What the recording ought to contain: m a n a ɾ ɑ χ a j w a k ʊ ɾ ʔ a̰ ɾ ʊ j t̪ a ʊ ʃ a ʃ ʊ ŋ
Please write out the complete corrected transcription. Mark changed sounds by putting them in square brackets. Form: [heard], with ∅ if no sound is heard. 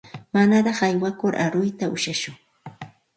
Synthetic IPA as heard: m a n a ɾ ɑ χ a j w a k ʊ ɾ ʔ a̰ ɾ ʊ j t̪ a ʊ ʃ a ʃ ʊ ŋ